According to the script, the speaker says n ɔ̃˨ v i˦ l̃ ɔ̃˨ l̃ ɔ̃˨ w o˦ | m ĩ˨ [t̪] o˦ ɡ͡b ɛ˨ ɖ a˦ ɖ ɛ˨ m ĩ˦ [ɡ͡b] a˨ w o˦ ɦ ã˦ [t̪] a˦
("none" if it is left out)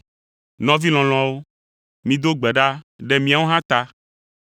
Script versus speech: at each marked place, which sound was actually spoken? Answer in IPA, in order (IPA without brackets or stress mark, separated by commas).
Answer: d̪, none, t̪